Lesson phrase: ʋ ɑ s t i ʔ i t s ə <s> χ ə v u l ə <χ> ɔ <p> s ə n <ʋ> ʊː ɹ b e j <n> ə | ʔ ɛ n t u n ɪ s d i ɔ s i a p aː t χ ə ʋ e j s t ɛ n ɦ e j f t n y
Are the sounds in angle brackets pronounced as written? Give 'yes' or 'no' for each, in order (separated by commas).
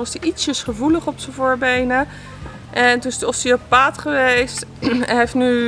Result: yes, yes, yes, no, yes